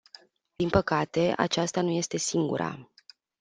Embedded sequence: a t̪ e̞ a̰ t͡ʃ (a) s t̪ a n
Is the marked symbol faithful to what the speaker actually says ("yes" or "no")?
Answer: yes